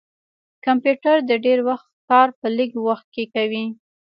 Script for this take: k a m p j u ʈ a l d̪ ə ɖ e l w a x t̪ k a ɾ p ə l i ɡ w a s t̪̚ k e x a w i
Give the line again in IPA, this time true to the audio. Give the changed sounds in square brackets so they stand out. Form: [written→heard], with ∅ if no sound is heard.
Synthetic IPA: k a m p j u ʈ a [l→ɾ] d̪ ə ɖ e [l→ɾ] w a x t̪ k [a→ɑ] ɾ p ə l i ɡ w a [s→x] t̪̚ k e [x→k] a w i